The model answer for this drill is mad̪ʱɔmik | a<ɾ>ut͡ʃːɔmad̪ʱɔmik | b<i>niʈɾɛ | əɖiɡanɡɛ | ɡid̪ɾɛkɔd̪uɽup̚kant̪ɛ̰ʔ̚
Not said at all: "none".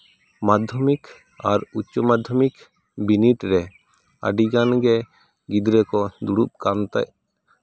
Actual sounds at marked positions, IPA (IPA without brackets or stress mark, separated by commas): ɾ, i